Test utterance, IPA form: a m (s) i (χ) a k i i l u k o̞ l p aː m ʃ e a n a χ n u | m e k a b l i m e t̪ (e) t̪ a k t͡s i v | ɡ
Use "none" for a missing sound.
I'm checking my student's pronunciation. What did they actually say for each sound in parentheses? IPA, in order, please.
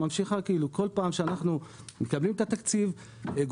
ʃ, χ, a

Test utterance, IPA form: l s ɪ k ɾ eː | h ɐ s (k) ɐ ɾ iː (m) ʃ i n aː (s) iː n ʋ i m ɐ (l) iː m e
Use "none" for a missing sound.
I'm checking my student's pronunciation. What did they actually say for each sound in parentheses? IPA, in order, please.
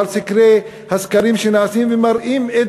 k, m, s, ɾ

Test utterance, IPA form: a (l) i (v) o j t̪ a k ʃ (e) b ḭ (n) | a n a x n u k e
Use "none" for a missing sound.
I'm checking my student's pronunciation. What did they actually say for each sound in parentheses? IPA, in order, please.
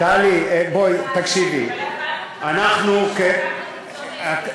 l, b, i, none

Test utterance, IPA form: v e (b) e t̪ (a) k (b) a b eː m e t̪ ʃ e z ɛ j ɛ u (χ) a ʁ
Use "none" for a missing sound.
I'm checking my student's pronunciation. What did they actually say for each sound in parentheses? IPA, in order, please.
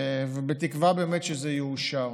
b, i, v, ʃ

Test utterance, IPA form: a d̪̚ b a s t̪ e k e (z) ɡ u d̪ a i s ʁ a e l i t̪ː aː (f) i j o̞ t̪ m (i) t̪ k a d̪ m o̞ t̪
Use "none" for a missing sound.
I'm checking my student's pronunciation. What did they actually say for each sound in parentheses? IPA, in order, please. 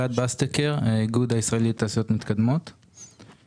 ʁ, s, i

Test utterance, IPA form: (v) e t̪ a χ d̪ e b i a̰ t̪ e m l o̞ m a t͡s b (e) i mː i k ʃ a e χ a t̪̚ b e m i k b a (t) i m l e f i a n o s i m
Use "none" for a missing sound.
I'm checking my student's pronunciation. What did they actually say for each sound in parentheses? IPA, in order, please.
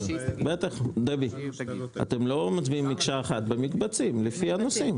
b, i, t͡s

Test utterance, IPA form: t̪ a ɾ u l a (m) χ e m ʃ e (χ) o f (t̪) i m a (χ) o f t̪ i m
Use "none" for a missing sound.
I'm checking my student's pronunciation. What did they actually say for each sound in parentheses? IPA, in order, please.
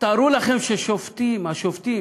none, ʃ, t̪, ʃ

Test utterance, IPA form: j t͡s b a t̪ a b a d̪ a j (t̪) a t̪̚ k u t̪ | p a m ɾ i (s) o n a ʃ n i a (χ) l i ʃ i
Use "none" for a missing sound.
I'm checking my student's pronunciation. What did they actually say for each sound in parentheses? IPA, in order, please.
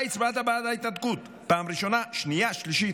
t̪, ʃ, ʃ

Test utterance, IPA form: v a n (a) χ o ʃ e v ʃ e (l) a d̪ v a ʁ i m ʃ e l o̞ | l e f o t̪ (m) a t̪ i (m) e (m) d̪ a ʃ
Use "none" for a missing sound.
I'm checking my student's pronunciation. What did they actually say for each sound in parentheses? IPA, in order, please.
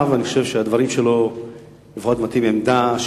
i, none, m, m, m

